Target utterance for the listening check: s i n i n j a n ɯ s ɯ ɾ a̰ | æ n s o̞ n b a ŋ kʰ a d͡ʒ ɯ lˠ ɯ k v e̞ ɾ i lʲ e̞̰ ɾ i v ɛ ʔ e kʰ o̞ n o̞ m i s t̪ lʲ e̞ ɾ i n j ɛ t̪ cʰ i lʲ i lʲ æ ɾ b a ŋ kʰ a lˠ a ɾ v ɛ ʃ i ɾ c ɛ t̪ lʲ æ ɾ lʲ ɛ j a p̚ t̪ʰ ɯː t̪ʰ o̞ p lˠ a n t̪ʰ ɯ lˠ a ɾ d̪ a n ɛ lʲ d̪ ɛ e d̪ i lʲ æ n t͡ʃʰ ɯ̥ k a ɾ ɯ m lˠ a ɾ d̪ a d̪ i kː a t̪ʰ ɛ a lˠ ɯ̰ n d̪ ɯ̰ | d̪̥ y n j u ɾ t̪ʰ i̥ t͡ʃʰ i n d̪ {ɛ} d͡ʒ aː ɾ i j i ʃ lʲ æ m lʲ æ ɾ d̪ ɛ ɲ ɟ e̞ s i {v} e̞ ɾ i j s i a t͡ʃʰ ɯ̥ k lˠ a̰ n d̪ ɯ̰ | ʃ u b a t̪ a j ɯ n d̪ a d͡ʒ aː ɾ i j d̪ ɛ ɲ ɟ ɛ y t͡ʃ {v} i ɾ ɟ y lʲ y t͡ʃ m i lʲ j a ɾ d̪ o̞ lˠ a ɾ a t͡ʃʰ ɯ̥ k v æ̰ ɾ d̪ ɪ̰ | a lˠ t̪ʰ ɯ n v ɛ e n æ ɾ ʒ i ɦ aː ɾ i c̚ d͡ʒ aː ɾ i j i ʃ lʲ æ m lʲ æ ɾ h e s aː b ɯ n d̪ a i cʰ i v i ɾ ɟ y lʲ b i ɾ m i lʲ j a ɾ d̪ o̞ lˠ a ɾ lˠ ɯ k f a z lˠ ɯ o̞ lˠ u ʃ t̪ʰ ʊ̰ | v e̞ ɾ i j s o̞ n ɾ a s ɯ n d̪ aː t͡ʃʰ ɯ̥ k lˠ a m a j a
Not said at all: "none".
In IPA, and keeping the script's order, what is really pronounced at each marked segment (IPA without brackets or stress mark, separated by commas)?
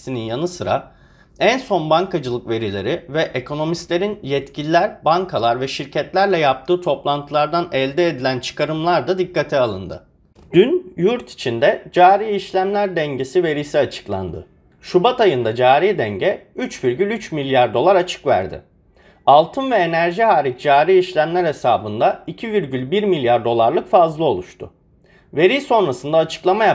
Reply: ɛ, v, v